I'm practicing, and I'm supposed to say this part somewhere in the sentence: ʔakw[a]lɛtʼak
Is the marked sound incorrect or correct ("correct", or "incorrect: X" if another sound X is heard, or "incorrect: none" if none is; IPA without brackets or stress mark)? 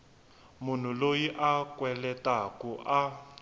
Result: incorrect: ɛ